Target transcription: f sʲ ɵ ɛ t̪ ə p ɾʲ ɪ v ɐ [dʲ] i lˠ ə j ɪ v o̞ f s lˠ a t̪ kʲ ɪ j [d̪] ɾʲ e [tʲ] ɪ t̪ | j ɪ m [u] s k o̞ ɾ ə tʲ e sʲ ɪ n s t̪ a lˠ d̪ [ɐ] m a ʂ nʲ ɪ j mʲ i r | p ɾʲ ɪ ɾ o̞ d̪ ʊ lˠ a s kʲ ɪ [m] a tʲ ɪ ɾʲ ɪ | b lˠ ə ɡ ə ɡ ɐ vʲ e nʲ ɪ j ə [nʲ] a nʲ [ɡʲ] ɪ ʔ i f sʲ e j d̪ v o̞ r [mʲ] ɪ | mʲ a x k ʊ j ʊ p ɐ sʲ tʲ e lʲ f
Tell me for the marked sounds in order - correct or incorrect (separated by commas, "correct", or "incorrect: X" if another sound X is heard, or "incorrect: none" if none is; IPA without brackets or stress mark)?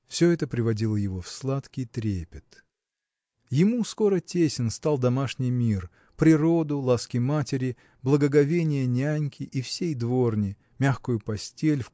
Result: correct, incorrect: t̪, incorrect: pʲ, correct, correct, correct, correct, incorrect: kʲ, incorrect: nʲ